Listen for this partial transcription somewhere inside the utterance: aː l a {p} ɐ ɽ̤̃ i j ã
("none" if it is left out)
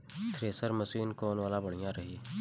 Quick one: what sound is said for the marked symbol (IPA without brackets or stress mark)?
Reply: b